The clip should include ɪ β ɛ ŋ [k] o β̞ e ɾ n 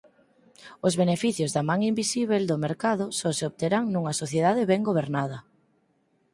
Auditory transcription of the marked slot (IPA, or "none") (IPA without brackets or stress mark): ɡ